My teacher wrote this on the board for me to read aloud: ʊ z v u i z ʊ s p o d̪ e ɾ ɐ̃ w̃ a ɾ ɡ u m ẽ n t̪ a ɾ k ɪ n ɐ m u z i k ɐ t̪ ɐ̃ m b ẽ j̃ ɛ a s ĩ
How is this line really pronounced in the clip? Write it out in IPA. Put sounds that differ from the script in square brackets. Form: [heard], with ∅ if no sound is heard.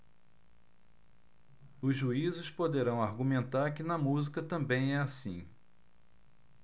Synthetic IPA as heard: ʊ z [ʒ] u i z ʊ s p o d̪ e ɾ ɐ̃ w̃ a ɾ ɡ u m ẽ n t̪ a ɾ k ɪ n ɐ m u z i k ɐ t̪ ɐ̃ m b ẽ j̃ ɛ a s ĩ